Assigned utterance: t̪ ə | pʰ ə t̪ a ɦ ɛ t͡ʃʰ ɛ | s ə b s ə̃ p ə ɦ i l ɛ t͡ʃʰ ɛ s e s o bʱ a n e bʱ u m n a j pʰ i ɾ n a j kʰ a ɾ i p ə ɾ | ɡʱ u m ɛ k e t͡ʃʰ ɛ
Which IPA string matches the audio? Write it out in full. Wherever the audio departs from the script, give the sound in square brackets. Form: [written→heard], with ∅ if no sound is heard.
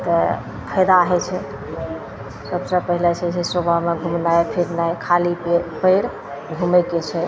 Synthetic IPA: t̪ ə | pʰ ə [t̪→d̪] a ɦ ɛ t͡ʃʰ ɛ | s ə b s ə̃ p ə ɦ i l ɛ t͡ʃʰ ɛ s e s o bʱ a [n→m] e [bʱ→ɡʱ] u m n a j pʰ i ɾ n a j kʰ a [ɾ→l] i p ə ɾ | ɡʱ u m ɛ k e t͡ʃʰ ɛ